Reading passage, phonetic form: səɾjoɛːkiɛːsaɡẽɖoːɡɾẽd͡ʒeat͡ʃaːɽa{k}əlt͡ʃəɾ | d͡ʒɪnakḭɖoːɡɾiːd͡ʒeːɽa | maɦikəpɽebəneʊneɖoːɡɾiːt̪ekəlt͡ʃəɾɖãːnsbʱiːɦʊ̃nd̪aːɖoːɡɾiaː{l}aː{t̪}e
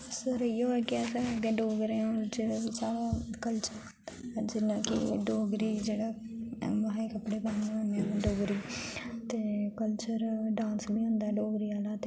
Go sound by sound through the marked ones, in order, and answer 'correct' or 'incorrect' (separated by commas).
correct, correct, correct